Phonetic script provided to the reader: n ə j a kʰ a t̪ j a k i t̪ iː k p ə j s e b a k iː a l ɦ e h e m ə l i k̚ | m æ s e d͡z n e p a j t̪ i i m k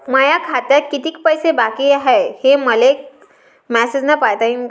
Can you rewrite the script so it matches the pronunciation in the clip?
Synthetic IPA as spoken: m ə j a kʰ a t̪ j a k i t̪ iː k p ə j s e b a k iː a ɦ e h e m ə l e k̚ | m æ s e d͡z n a p a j t̪ a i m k